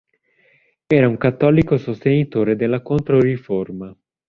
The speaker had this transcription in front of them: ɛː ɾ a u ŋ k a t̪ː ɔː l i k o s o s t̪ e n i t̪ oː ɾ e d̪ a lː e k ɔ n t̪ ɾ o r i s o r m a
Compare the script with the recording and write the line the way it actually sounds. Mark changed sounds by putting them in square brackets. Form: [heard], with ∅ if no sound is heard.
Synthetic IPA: ɛː ɾ a u ŋ k a t̪ː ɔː l i k o s o s t̪ e n i t̪ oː ɾ e d̪ [e] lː [a] k [o] n t̪ ɾ o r i [f] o r m a